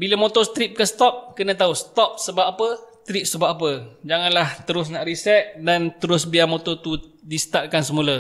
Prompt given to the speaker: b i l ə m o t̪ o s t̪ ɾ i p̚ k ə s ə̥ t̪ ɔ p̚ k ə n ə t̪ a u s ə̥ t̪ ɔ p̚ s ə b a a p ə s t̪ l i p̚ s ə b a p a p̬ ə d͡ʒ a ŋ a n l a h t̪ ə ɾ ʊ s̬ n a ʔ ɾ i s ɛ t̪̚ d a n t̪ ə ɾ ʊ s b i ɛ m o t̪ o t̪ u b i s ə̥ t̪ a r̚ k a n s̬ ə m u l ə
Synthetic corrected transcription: b i l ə m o t̪ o s t̪ ɾ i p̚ k ə s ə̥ t̪ ɔ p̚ k ə n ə t̪ a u s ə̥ t̪ ɔ p̚ s ə b a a p ə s t̪ ɾ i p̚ s ə b a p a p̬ ə d͡ʒ a ŋ a n l a h t̪ ə ɾ ʊ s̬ n a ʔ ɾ i s ɛ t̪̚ d a n t̪ ə ɾ ʊ s b i a m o t̪ o t̪ u d i s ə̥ t̪ a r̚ k a n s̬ ə m u l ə

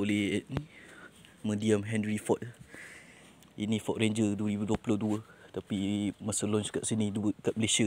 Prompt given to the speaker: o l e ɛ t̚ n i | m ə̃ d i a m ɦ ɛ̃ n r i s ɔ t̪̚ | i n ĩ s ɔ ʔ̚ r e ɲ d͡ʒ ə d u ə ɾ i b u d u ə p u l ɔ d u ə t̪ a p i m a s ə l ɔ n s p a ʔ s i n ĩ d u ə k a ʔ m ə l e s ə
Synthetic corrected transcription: o l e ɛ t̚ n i | m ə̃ d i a m ɦ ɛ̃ n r i f ɔ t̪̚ | i n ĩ f ɔ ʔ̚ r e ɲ d͡ʒ ə d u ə ɾ i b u d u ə p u l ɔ d u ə t̪ a p i m a s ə l ɔ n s k a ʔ s i n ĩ d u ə k a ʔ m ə l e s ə

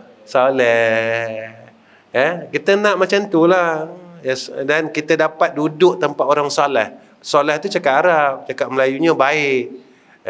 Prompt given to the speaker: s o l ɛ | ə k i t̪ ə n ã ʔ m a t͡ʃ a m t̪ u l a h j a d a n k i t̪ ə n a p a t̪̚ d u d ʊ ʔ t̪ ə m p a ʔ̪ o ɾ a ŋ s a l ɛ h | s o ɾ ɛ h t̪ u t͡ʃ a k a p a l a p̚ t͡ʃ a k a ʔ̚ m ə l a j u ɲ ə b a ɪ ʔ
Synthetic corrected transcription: s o l ɛ | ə k i t̪ ə n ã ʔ m a t͡ʃ a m t̪ u l a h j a d a n k i t̪ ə d a p a t̪̚ d u d ʊ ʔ t̪ ə m p a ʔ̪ o ɾ a ŋ s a l ɛ h | s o l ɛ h t̪ u t͡ʃ a k a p a ɾ a p̚ t͡ʃ a k a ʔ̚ m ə l a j u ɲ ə b a ɪ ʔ

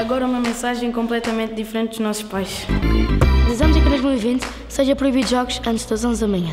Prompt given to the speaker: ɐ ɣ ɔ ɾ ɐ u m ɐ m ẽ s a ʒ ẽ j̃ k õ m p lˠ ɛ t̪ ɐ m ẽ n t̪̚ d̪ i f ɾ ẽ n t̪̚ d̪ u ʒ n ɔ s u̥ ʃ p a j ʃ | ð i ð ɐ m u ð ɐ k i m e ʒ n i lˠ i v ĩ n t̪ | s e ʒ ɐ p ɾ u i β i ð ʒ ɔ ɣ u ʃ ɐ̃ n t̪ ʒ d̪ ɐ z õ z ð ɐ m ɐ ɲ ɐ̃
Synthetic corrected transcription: ɐ ɣ ɔ ɾ ɐ u m ɐ m ẽ s a ʒ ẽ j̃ k õ m p lˠ ɛ t̪ ɐ m ẽ n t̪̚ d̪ i f ɾ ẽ n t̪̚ d̪ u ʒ n ɔ s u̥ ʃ p a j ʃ | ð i z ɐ m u z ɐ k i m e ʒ m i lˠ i v ĩ n t̪ | s e ʒ ɐ p ɾ u i β i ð ʒ ɔ ɣ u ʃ ɐ̃ n t̪ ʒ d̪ ɐ z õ z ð ɐ m ɐ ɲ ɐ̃

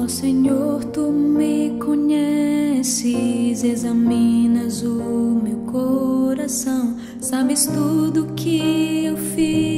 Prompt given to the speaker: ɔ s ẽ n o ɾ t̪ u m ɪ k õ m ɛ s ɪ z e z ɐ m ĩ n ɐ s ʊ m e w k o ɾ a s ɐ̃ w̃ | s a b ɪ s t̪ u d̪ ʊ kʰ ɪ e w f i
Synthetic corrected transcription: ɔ s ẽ ɲ o ɾ t̪ u m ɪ k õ ɲ ɛ s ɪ z e z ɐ m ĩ n ɐ z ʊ m e w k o ɾ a s ɐ̃ w̃ | s a b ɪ s t̪ u d̪ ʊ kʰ ɪ e w f i

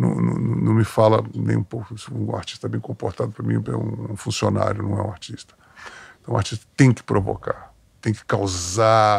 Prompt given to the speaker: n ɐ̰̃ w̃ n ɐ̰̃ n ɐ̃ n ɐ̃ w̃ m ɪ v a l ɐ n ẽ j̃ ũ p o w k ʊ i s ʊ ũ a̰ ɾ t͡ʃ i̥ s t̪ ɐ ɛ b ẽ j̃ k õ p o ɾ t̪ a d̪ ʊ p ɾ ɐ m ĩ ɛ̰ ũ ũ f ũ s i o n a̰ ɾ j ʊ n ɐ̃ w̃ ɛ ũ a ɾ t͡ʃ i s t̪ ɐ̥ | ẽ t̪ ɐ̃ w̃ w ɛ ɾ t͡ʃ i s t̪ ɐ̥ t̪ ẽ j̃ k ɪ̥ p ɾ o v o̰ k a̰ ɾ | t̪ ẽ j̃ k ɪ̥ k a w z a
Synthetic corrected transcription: n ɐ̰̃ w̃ n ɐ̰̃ n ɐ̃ n ɐ̃ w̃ m ɪ f a l ɐ n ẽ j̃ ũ p o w k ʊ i s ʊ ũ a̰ ɾ t͡ʃ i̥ s t̪ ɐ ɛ b ẽ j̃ k õ p o ɾ t̪ a d̪ ʊ p ɾ ɐ m ĩ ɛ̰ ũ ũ f ũ s i o n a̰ ɾ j ʊ n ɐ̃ w̃ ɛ ũ a ɾ t͡ʃ i s t̪ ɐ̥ | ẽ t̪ ɐ̃ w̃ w a ɾ t͡ʃ i s t̪ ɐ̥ t̪ ẽ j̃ k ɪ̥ p ɾ o v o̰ k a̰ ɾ | t̪ ẽ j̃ k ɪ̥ k a w z a

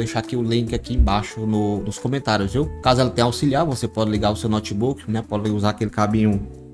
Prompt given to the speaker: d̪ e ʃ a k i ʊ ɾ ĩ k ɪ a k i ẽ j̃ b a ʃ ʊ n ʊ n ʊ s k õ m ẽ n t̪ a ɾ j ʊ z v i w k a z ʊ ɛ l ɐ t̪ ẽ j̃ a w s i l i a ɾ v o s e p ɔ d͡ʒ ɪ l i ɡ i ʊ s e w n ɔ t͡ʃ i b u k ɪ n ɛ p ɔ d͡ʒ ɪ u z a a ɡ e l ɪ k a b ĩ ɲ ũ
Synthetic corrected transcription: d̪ e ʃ a k i ʊ l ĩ k ɪ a k i ẽ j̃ b a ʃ ʊ n ʊ n ʊ s k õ m ẽ n t̪ a ɾ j ʊ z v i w k a z ʊ ɛ l ɐ t̪ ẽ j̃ a w s i l i a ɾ v o s e p ɔ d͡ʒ ɪ l i ɡ a ʊ s e w n ɔ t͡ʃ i b u k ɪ n ɛ p ɔ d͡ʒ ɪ u z a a k e l ɪ k a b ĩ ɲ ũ

